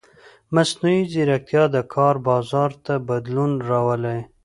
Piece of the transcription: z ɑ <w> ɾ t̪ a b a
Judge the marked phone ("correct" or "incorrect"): incorrect